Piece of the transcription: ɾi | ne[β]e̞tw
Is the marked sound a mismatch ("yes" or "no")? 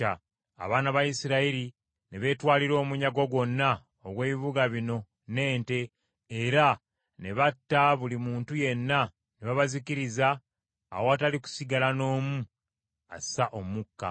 no